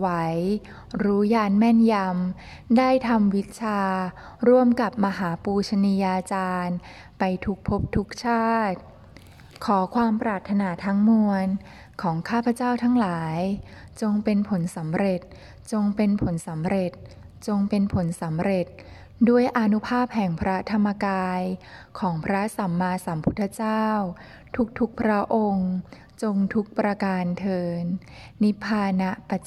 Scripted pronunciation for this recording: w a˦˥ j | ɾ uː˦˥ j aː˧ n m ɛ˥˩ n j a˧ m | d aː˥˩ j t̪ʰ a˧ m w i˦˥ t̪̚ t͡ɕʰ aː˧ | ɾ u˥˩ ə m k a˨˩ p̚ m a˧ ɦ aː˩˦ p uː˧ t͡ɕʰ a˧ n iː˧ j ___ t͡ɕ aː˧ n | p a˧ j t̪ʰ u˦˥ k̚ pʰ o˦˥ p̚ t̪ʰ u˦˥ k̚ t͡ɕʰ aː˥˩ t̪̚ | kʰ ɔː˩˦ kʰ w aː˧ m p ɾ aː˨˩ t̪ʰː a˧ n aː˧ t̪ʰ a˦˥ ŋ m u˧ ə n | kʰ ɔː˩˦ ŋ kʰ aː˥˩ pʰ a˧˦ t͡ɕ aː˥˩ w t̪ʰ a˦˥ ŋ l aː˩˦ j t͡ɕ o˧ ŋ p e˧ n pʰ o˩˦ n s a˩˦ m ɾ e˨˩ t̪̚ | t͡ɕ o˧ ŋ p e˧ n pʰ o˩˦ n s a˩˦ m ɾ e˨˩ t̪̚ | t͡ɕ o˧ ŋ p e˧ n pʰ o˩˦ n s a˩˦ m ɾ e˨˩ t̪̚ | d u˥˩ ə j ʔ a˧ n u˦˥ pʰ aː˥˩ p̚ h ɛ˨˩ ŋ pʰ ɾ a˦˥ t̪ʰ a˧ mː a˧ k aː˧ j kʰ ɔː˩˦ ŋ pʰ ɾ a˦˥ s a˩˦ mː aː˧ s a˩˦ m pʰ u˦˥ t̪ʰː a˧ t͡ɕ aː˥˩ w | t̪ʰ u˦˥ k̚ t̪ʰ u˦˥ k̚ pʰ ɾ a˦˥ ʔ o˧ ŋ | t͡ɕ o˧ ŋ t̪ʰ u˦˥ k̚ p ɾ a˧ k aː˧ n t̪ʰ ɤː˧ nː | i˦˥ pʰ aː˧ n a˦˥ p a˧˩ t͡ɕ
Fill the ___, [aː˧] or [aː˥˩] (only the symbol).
aː˧